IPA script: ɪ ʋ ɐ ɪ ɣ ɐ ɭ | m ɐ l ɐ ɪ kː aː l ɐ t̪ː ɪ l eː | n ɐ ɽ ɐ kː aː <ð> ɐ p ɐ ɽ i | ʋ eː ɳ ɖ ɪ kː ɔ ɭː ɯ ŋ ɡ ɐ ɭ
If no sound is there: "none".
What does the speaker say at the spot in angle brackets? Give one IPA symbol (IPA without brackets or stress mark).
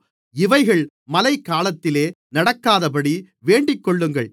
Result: ð